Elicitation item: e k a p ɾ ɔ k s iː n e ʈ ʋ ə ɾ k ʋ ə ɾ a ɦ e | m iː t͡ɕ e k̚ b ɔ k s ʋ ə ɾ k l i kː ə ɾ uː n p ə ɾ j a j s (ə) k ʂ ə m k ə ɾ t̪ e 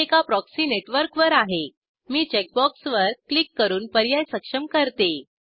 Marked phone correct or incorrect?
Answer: correct